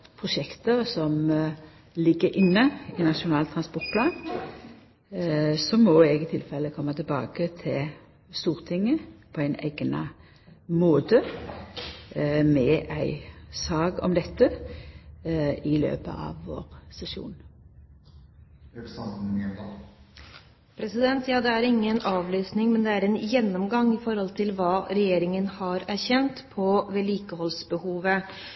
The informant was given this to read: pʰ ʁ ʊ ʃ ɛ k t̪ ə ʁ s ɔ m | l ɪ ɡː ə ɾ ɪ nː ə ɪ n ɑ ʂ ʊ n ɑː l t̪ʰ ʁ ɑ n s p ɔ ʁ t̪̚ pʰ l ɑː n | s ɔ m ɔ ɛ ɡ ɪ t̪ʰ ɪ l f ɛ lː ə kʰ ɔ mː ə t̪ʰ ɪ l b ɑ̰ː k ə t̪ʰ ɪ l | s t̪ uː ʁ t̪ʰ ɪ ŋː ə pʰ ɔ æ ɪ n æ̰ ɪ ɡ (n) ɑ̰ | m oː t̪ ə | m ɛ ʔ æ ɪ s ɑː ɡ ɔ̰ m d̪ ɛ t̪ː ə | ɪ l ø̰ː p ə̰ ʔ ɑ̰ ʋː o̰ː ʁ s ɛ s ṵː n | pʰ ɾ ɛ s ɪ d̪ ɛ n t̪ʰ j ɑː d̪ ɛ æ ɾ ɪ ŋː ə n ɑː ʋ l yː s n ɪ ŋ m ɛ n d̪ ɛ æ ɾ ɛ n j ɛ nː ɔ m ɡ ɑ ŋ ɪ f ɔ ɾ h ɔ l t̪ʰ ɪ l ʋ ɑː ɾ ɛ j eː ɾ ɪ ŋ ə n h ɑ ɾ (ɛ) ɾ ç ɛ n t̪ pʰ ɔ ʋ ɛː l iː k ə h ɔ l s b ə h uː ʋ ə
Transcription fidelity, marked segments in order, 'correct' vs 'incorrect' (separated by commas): correct, incorrect